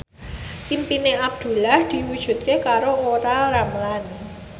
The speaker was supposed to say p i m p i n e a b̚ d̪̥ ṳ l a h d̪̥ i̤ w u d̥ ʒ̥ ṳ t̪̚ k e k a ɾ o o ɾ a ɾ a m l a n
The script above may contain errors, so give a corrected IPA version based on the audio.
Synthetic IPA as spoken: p i m p i n e a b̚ d̪̥ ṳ l a h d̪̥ i̤ w u d̥ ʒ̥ ṳ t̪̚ k e k a ɾ o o ɾ a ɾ a m l a n